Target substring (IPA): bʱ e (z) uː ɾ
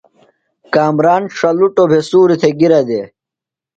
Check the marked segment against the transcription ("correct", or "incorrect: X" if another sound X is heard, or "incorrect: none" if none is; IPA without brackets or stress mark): incorrect: s